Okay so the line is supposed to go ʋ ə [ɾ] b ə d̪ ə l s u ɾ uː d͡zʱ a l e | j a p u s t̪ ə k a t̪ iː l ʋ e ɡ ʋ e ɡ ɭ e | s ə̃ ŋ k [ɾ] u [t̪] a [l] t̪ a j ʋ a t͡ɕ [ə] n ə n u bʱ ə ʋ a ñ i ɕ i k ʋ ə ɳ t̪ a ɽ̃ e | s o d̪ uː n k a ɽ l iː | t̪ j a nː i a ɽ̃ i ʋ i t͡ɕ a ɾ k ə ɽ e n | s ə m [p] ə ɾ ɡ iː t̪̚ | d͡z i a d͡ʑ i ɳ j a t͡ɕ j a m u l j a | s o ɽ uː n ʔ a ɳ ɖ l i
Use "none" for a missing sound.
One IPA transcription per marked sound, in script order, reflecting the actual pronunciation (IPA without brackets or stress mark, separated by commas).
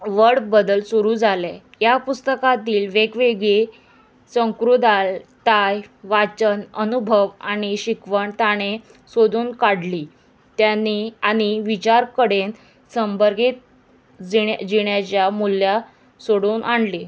ɽ, ɾ, d̪, l, ə, b